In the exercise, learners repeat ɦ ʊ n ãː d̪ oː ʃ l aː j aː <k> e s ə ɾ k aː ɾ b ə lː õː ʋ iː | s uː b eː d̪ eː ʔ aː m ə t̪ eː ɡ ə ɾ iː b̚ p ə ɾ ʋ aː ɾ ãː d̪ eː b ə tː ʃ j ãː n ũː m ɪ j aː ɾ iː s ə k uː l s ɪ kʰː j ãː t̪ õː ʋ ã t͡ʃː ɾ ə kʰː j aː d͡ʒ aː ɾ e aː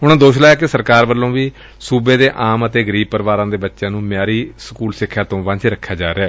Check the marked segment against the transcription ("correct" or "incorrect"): correct